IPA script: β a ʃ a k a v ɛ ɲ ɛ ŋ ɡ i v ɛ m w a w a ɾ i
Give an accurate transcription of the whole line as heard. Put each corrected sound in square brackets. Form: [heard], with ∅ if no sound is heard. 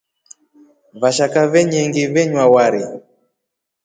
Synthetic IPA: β a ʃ a k a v ɛ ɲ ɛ ŋ ɡ i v ɛ [ɲ] w a w a ɾ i

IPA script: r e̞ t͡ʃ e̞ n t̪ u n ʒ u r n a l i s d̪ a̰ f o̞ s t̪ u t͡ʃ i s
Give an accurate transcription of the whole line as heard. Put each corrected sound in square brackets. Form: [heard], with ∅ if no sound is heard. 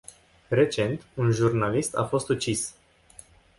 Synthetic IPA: r e̞ t͡ʃ e̞ n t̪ u n ʒ u r n a l i s [t̪] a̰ f o̞ s t̪ u t͡ʃ i s

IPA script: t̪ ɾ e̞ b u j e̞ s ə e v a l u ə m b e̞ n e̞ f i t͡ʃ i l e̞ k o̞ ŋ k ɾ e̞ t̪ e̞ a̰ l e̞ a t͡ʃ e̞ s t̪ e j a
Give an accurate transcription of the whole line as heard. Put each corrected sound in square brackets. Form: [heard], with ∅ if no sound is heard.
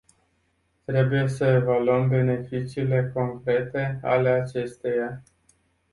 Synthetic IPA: t̪ ɾ e̞ b u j e̞ s ə e v a l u ə m b e̞ n e̞ f i t͡ʃ [iː] l e̞ k o̞ ŋ k ɾ e̞ t̪ e̞ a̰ l e̞ a t͡ʃ e̞ s t̪ e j a

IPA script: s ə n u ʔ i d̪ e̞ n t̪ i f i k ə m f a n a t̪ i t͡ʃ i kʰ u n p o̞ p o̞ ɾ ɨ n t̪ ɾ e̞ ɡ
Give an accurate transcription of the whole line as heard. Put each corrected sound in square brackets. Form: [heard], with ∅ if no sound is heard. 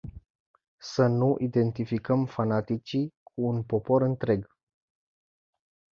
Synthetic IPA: s ə n u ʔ i d̪ e̞ n t̪ i f i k ə m f a n a t̪ i t͡ʃ i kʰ [uː] n p o̞ p o̞ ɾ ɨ n t̪ ɾ e̞ ɡ

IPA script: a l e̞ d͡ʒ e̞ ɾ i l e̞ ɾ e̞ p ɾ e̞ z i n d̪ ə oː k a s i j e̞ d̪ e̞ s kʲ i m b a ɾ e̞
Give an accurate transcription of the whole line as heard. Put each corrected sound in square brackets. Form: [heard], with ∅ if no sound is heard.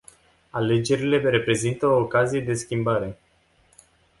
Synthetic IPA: a l e̞ d͡ʒ e̞ ɾ i l e̞ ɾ e̞ p ɾ e̞ z i n [t̪] ə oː k a [z] i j e̞ d̪ e̞ s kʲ i m b a ɾ e̞

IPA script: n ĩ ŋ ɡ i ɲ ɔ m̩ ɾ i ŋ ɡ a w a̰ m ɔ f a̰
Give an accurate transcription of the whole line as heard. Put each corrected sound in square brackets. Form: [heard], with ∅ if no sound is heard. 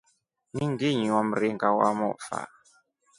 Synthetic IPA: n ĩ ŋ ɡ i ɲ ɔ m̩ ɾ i ŋ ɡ a w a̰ m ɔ f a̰

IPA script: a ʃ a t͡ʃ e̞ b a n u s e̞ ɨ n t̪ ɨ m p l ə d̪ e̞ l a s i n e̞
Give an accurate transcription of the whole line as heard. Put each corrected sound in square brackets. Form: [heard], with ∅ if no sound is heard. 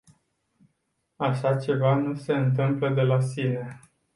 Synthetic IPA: a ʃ a t͡ʃ e̞ [v] a n u s e̞ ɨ n t̪ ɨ m p l ə d̪ e̞ l a s i n e̞

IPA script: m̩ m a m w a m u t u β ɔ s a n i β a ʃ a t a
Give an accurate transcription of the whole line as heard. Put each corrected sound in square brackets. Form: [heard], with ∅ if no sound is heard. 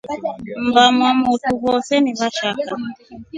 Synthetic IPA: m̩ [b] a m w a m u t u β ɔ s [ɛ] n i β a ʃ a [k] a

